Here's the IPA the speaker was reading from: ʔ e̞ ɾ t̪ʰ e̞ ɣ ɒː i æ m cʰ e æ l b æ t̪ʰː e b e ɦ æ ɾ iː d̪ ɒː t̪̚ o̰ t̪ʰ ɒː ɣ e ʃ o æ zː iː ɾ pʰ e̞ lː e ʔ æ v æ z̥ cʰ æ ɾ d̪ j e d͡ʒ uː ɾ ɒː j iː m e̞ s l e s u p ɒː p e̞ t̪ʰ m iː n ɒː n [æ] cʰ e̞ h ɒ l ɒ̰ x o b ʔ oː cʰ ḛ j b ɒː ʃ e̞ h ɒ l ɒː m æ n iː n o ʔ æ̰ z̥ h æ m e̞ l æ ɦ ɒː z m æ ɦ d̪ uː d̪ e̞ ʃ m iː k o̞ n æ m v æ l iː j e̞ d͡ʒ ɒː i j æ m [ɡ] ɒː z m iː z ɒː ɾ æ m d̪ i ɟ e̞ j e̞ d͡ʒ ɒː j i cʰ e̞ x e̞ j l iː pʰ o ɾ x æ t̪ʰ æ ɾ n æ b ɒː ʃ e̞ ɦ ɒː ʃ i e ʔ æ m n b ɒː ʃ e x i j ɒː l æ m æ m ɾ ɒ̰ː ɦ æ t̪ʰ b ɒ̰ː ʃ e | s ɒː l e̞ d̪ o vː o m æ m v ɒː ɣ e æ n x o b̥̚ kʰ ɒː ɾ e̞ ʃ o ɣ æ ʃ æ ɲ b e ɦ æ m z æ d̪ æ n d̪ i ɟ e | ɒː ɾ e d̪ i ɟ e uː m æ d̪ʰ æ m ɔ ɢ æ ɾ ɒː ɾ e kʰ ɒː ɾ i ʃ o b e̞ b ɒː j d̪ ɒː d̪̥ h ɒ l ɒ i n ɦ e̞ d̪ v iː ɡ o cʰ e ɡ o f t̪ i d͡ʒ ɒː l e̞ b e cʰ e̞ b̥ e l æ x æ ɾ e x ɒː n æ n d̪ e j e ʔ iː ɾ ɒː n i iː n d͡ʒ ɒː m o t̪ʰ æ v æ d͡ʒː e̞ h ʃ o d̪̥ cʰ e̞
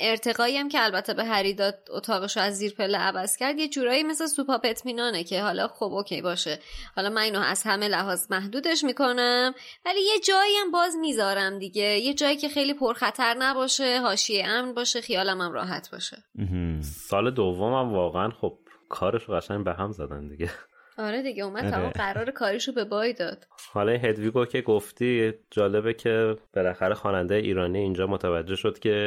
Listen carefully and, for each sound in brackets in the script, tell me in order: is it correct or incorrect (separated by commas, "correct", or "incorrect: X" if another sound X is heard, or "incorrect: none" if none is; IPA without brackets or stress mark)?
incorrect: e, incorrect: b